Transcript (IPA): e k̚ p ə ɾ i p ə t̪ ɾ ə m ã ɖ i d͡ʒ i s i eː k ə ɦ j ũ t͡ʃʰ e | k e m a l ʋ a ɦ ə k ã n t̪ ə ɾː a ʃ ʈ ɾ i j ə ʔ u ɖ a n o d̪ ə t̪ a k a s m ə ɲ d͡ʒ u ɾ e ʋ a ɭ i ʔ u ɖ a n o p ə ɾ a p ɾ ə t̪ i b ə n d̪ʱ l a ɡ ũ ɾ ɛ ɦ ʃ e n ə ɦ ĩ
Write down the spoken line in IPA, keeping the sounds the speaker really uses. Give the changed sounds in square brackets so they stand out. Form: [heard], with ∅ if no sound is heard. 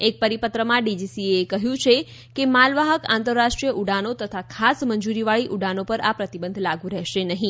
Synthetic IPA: e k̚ p ə ɾ i p ə t̪ ɾ ə m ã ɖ i d͡ʒ i s i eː k ə ɦ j ũ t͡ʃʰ e | k e m a l ʋ a ɦ ə k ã n t̪ ə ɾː a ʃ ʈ ɾ i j ə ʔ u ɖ a n o [t̪] ə [t̪ʰ] a [kʰ] a s m ə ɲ d͡ʒ u ɾ [i] ʋ a ɭ i ʔ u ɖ a n o p ə ɾ a p ɾ ə t̪ i b ə n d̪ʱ l a ɡ ũ ɾ ɛ ɦ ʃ e n ə ɦ ĩ

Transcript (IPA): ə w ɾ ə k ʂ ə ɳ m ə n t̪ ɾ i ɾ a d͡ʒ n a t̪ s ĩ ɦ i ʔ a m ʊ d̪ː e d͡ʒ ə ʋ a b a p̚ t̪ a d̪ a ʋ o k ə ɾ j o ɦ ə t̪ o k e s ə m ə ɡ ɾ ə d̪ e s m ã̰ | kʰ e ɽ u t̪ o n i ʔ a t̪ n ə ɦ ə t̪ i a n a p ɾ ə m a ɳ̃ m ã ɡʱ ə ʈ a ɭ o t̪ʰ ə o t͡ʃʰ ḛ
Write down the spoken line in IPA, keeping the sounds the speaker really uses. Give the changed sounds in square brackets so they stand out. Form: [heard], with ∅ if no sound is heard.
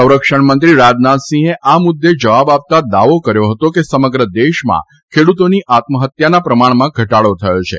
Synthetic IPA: ə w ɾ ə k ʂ ə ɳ m ə n t̪ ɾ i ɾ a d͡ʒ n a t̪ s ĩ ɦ [e] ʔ a m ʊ d̪ː e d͡ʒ ə ʋ a b a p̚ t̪ a d̪ a ʋ o k ə ɾ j o ɦ ə t̪ o k e s ə m ə ɡ ɾ ə d̪ e [ʃ] m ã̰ | kʰ e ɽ u t̪ o n i ʔ a t̪ [m] ə ɦ ə t̪ [j] a n a p ɾ ə m a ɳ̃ m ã ɡʱ ə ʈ a ɭ o t̪ʰ ə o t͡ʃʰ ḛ

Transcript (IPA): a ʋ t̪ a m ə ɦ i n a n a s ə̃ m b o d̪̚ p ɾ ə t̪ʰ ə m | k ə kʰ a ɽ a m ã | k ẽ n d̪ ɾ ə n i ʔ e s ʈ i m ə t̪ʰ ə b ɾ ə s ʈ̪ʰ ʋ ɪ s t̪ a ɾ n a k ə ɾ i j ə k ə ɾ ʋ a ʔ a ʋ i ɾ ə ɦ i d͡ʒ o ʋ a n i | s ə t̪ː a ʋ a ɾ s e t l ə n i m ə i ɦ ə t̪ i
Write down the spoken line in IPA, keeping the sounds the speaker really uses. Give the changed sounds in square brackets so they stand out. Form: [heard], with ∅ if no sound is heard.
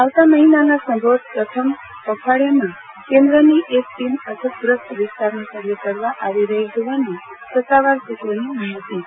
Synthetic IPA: a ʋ t̪ a m ə ɦ i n a n a s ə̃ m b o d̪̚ p ɾ ə t̪ʰ ə m | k ə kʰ a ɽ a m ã | k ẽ n d̪ ɾ ə n i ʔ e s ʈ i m ə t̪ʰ ə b ɾ ə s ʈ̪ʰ ʋ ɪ s t̪ a ɾ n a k ə ɾ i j ə k ə ɾ ʋ a ʔ a ʋ i ɾ ə ɦ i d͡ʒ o ʋ a n i | s ə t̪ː a ʋ a ɾ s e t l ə n i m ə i ɦ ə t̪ i

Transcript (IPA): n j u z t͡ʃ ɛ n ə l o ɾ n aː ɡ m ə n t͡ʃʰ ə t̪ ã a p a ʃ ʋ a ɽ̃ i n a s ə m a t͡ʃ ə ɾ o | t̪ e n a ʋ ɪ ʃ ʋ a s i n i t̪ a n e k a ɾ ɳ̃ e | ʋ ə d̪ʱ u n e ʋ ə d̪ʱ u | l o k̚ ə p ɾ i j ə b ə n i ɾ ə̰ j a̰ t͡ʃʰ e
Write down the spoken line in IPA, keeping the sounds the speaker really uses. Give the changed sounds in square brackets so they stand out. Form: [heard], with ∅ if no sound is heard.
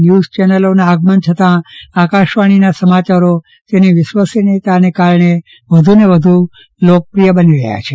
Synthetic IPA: n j u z t͡ʃ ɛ n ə l o [∅] n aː ɡ m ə n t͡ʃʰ ə t̪ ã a [k] a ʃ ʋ a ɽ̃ i n a s ə m a t͡ʃ [a] ɾ o | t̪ e n [i] ʋ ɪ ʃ ʋ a s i n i t̪ a n e k a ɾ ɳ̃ e | ʋ ə d̪ʱ u n e ʋ ə d̪ʱ u | l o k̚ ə p ɾ i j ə b ə n i ɾ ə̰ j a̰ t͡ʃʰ e

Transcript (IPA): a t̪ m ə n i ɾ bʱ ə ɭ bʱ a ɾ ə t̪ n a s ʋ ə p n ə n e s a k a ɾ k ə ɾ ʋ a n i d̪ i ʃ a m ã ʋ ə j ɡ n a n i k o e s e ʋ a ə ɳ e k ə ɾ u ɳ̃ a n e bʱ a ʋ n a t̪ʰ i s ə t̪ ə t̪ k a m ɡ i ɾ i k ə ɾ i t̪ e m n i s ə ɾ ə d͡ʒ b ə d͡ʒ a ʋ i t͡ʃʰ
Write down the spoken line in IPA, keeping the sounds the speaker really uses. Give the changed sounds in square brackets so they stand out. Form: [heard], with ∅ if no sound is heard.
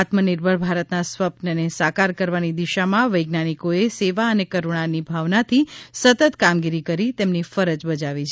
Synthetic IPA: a t̪ m ə n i ɾ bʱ ə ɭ bʱ a ɾ ə t̪ n a s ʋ ə p n ə n e s a k a ɾ k ə ɾ ʋ a n i d̪ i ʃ a m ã ʋ ə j ɡ n a n i k o e s e ʋ a ə [n] e k ə ɾ u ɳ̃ a n [i] bʱ a ʋ n a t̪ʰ i s ə t̪ ə t̪ k a m ɡ i ɾ i k ə ɾ i t̪ e m n i [f] ə ɾ ə d͡ʒ b ə d͡ʒ a ʋ i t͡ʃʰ

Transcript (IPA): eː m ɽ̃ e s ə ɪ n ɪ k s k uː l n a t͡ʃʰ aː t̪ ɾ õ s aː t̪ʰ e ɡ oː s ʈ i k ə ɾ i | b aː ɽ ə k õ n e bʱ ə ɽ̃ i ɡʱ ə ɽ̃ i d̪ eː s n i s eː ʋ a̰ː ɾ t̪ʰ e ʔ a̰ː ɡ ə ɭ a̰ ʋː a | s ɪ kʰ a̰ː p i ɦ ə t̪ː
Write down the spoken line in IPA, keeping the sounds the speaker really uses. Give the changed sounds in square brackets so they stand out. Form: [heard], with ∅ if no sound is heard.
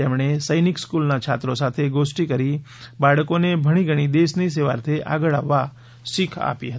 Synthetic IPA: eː m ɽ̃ e s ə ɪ n ɪ k s k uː l n a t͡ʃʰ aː t̪ ɾ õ s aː t̪ʰ e ɡ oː s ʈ i k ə ɾ i | b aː ɽ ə k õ n e bʱ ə ɽ̃ i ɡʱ ə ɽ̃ i d̪ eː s n i s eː ʋ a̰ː ɾ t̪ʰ e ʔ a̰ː ɡ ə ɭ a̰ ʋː a | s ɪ kʰ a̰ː p i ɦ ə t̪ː

